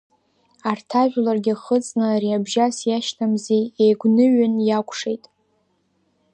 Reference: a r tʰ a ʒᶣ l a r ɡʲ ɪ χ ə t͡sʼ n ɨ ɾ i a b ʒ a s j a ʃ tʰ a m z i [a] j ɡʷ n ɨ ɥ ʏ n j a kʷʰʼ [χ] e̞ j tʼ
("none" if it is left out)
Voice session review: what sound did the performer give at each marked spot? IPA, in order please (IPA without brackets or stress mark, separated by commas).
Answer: e, ʂ